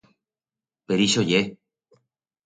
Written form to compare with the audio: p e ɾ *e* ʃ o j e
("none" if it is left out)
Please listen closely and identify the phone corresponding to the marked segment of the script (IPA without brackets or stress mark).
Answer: i